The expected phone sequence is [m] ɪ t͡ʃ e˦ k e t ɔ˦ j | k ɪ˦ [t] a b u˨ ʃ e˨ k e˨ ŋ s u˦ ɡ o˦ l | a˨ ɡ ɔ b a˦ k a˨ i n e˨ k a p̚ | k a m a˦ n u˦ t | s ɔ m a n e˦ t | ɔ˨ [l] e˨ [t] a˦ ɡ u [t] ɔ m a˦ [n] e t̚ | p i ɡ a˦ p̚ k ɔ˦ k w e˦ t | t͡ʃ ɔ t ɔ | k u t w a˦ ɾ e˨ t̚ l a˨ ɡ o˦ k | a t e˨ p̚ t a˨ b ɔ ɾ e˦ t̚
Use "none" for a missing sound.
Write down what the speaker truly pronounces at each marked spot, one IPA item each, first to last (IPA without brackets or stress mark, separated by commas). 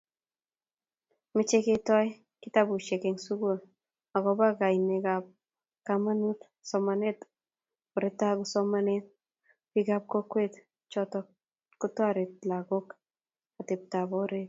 m, t, ɾ, t, s, n